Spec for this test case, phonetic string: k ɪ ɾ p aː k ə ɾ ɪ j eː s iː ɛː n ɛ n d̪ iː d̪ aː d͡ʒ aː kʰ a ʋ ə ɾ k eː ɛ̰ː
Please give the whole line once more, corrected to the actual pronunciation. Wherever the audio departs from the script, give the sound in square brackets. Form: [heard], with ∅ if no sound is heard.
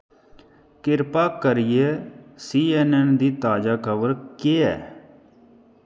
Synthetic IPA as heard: k ɪ ɾ p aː k ə ɾ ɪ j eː s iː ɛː n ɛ n d̪ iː [t̪] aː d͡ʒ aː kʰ [ə] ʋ ə ɾ k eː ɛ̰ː

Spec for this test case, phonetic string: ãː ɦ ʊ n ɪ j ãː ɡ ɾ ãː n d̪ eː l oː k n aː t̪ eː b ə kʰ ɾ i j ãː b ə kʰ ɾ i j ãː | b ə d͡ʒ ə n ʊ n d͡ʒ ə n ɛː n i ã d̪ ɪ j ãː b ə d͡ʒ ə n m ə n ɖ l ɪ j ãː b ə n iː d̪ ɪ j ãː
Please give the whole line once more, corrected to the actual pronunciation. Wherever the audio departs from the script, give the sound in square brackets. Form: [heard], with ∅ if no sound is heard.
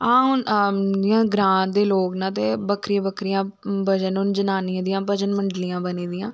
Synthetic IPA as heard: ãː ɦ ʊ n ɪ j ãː ɡ ɾ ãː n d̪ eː l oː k n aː t̪ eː b ə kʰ ɾ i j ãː b ə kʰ ɾ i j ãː | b ə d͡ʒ ə n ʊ n d͡ʒ ə n [aː] n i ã d̪ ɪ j ãː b ə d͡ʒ ə n m ə [ɳ] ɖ l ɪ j ãː b ə n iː d̪ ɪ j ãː

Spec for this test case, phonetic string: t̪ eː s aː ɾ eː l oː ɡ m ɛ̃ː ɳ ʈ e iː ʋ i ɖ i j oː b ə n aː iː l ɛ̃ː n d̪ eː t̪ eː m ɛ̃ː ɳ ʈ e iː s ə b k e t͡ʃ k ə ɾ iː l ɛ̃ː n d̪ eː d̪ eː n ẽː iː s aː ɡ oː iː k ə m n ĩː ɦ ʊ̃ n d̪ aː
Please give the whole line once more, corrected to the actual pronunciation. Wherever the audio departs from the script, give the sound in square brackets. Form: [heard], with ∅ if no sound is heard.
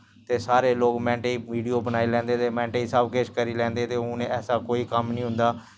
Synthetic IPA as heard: t̪ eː s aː ɾ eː l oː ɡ m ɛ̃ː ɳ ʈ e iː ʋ [iː] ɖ i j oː b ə n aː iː l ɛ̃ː n d̪ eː t̪ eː m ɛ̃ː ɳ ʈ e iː s ə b k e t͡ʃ k ə ɾ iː l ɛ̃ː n d̪ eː [t̪] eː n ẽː [ɛː] s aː [k] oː iː k ə m n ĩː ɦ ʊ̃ n d̪ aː

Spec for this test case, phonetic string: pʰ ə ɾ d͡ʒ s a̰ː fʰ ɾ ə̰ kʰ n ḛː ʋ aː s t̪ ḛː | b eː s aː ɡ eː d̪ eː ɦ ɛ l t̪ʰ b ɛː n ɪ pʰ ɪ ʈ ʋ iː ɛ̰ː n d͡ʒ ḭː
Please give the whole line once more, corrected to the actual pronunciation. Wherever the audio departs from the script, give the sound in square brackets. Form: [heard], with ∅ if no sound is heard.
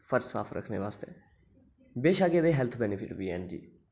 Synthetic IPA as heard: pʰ ə ɾ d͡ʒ s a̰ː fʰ ɾ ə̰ kʰ n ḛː ʋ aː s t̪ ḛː | b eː [ʃ] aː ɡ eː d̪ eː ɦ ɛ l t̪ʰ b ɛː n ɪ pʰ ɪ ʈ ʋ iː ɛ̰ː n d͡ʒ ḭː

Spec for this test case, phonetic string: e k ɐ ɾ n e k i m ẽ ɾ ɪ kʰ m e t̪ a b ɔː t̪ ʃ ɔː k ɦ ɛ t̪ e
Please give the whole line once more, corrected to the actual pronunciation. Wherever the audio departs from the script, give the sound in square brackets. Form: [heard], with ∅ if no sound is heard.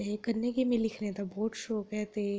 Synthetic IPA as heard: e k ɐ ɾ n e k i m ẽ [l] ɪ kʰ [n] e t̪ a b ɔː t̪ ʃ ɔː k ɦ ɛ t̪ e

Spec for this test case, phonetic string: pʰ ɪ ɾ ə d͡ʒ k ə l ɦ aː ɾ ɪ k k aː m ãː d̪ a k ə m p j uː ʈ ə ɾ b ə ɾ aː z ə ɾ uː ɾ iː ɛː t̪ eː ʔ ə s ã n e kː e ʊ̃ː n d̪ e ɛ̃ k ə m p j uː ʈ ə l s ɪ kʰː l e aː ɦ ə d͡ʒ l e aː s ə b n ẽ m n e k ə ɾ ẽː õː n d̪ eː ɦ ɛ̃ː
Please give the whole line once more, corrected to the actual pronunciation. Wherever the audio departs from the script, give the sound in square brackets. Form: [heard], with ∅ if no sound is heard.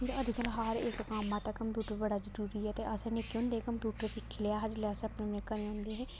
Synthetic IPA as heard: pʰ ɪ ɾ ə d͡ʒ k ə l ɦ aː ɾ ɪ k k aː m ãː [t̪] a k ə m p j uː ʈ ə ɾ b ə [ɽ] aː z ə ɾ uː ɾ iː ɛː t̪ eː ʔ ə s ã n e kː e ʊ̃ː n d̪ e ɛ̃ k ə m p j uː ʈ ə [ɾ] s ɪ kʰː l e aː ɦ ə d͡ʒ l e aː s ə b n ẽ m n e k ə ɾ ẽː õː n d̪ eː ɦ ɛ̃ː

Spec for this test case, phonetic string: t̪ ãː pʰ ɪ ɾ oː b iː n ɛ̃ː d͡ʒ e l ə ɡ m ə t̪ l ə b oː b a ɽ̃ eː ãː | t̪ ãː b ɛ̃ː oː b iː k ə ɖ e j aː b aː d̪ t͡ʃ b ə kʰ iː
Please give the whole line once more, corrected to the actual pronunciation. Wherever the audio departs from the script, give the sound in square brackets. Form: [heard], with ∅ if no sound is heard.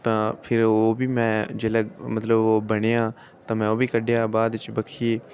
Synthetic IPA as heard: t̪ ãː pʰ ɪ ɾ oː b iː [m] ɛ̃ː d͡ʒ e l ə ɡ m ə t̪ l ə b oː b [ə] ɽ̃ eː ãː | t̪ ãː [m] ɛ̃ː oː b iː k ə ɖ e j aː b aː d̪ t͡ʃ b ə kʰ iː

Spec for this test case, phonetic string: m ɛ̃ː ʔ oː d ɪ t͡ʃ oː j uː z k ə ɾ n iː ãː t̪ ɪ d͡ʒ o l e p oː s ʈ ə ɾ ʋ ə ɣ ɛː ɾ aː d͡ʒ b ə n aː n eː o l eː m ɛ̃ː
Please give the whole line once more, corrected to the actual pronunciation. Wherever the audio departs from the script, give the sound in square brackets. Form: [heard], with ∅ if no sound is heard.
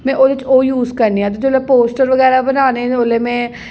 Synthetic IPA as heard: m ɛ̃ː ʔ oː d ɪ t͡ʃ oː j uː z k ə ɾ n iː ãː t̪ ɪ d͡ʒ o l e p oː s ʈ ə ɾ ʋ ə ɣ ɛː ɾ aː [∅] b ə n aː n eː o l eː m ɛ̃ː

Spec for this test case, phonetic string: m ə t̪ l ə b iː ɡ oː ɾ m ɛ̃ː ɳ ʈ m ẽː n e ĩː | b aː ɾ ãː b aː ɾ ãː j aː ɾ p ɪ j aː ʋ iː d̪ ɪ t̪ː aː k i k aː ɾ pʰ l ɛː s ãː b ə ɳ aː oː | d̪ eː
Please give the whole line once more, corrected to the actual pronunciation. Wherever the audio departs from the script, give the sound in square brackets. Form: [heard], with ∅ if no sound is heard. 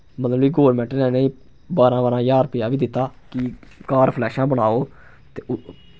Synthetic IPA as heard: m ə t̪ l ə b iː ɡ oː ɾ m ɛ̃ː ɳ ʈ [n] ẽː n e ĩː | b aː ɾ ãː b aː ɾ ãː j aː ɾ p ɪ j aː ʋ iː d̪ ɪ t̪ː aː k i k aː ɾ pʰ l ɛː [ʃ] ãː b ə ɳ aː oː | [t̪] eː

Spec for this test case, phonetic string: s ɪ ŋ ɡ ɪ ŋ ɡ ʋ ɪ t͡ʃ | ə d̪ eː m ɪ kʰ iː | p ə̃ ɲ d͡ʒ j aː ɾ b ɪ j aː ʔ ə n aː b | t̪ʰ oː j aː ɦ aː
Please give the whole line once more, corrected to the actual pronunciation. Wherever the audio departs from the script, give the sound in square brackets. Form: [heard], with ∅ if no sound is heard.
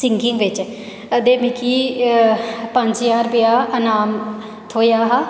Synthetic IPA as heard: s ɪ ŋ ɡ ɪ ŋ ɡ ʋ ɪ t͡ʃ | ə d̪ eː m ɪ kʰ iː | p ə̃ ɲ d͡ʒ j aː ɾ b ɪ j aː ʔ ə n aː [m] | t̪ʰ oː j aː ɦ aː

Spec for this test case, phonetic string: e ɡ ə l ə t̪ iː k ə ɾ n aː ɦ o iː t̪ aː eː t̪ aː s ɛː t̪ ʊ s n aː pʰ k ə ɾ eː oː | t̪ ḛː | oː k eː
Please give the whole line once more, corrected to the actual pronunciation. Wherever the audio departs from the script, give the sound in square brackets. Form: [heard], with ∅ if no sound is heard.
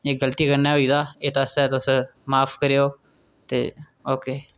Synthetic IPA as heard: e ɡ ə l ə t̪ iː k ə ɾ n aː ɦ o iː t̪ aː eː t̪ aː s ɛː t̪ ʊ s [m] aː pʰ k ə ɾ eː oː | t̪ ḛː | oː k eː

